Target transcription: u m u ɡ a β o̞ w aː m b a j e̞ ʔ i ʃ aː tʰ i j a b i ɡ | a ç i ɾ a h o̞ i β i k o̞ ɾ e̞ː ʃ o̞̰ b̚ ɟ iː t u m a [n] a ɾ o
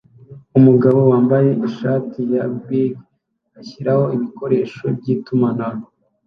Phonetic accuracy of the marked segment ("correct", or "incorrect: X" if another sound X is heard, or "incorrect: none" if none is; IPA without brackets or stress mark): correct